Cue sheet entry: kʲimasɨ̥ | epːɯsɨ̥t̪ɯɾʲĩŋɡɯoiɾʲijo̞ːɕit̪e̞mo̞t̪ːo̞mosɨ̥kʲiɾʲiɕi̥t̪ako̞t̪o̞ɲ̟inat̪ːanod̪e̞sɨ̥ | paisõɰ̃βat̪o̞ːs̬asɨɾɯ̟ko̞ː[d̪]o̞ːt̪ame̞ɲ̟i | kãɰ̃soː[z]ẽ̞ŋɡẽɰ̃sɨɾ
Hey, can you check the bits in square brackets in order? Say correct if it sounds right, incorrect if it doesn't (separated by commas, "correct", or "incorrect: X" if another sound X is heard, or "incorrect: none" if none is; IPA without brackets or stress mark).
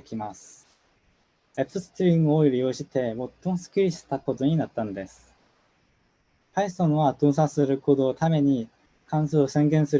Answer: correct, incorrect: s